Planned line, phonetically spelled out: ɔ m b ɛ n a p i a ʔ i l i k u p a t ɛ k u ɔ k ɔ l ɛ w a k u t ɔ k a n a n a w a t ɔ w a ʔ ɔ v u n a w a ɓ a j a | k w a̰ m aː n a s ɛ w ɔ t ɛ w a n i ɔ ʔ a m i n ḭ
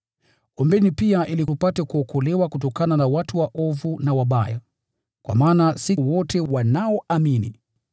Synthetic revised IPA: ɔ m b ɛ n i p i a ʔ i l i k u p a t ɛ k u ɔ k ɔ l ɛ w a k u t ɔ k a n a n a w a t u w a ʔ ɔ v u n a w a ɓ a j a | k w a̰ m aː n a s i w ɔ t ɛ w a n a ɔ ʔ a m i n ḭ